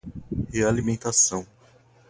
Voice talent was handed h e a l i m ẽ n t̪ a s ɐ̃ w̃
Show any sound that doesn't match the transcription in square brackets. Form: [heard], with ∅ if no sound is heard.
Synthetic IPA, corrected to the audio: h e a l i m ẽ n t̪ a s ɐ̃ w̃